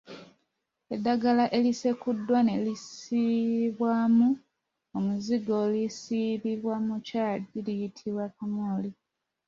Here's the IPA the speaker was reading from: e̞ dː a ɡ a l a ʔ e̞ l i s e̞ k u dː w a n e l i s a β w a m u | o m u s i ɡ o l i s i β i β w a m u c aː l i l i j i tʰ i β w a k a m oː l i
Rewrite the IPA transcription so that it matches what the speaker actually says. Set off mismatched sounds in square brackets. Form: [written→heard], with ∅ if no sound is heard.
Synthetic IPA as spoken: e̞ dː a ɡ a l a ʔ e̞ l i s e̞ k u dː w a n e l i s [a→i] β w a m u | o m u [s→z] i ɡ o l i s i β i β w a m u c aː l i l i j i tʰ i β w a k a m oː l i